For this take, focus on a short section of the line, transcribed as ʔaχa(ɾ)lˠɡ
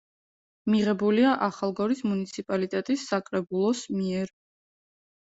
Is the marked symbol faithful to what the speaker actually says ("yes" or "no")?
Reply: no